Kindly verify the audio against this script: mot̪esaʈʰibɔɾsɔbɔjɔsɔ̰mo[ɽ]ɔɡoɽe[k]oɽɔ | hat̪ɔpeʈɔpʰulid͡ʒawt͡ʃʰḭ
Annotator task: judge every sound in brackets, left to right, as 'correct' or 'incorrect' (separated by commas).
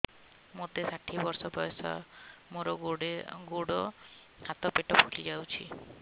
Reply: incorrect, incorrect